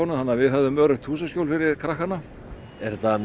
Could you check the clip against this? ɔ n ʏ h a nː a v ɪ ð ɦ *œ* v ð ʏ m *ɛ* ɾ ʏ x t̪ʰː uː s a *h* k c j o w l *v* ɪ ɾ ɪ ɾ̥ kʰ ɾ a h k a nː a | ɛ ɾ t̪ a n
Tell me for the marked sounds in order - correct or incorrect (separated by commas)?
correct, incorrect, incorrect, incorrect